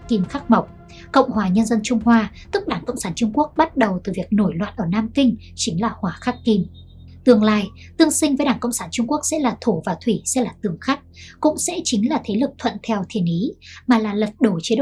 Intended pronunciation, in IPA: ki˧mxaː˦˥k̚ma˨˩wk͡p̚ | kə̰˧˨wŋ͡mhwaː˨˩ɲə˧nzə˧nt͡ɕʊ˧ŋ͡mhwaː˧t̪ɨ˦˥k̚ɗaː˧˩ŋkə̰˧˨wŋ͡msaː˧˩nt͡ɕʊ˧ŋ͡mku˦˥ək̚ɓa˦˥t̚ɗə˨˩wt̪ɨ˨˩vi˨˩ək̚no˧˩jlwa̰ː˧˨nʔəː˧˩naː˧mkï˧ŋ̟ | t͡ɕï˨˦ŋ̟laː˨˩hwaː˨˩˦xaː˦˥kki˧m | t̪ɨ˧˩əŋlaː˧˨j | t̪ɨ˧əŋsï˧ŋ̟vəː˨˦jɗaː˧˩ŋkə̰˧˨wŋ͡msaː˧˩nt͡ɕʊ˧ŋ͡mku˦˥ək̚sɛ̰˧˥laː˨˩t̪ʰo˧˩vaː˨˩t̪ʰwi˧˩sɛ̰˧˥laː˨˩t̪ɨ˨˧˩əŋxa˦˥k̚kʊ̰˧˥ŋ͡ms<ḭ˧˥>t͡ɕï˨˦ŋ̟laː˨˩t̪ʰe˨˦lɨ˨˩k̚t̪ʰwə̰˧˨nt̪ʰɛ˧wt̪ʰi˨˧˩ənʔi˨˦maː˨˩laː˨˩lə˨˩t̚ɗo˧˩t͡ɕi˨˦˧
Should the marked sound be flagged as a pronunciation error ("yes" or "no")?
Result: yes